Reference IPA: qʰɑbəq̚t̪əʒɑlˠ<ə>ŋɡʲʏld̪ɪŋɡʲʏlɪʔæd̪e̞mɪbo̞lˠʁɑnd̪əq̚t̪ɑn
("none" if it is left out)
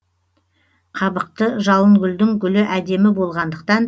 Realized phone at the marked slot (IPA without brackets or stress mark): ə